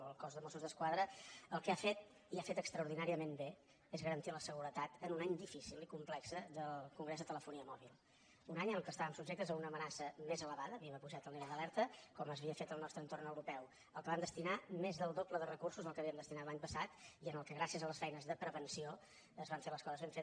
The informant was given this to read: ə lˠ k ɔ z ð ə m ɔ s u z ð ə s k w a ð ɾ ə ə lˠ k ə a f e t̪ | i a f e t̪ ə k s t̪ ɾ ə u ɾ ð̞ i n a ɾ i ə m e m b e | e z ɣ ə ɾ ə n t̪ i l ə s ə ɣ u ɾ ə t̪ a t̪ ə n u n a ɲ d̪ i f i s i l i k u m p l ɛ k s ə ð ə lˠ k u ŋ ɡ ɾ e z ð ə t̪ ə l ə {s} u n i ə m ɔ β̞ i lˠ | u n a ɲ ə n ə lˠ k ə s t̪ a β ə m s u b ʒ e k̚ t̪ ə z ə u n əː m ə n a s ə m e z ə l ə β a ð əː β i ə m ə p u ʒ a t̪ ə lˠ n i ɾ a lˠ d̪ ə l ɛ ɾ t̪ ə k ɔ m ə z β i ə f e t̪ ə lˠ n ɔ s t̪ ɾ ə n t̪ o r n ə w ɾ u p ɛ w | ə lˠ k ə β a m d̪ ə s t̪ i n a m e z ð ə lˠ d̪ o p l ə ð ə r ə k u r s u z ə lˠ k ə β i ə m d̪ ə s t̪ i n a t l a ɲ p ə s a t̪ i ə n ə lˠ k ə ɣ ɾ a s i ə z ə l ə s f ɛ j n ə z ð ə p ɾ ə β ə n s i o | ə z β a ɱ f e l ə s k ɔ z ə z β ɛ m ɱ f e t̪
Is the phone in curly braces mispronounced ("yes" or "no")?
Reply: yes